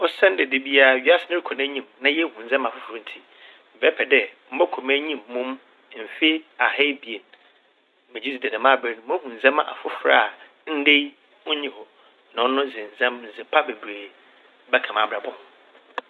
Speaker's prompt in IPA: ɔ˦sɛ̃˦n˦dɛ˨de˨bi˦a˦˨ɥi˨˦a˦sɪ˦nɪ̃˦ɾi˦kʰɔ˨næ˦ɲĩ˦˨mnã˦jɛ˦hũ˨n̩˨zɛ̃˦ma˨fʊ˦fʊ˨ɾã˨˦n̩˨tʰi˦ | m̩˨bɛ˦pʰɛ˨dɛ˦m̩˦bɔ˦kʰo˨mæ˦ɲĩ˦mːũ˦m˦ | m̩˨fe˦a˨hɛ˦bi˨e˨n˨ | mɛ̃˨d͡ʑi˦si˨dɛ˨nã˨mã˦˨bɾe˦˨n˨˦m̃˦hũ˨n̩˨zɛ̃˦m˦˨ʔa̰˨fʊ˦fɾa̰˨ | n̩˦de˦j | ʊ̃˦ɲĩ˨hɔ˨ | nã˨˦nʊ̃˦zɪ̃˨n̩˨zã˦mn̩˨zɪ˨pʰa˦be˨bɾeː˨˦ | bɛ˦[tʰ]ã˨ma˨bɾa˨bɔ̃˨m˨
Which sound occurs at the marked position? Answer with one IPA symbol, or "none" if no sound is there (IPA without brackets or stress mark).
kʰ